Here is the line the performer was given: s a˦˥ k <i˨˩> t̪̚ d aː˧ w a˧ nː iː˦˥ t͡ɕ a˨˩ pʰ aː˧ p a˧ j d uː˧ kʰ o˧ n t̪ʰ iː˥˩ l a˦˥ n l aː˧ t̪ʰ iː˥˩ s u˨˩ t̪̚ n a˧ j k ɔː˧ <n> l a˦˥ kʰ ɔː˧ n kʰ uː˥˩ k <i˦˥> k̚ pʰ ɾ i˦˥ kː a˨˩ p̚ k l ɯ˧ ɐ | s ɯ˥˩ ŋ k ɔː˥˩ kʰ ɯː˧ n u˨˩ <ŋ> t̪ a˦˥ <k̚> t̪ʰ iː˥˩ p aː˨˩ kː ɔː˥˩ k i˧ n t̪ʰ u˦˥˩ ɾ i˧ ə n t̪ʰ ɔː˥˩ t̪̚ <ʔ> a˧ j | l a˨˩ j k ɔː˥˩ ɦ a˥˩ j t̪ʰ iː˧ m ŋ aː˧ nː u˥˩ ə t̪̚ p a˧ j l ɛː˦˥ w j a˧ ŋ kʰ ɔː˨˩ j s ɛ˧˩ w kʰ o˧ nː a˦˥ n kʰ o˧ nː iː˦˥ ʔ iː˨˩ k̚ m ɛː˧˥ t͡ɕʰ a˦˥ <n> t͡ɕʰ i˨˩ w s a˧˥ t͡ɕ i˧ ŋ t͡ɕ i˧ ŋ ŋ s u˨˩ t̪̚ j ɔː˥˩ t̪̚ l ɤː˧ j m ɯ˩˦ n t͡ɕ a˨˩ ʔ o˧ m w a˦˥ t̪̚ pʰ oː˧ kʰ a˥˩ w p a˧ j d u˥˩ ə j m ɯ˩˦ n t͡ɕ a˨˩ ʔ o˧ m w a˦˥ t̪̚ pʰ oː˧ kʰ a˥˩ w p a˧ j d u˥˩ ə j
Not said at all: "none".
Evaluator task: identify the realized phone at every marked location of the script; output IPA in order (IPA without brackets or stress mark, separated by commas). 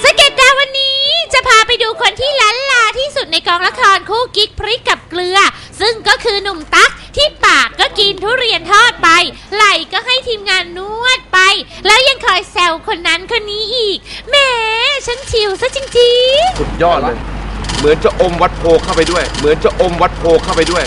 e˨˩, ŋ, i˦˥, m, k̚, p, n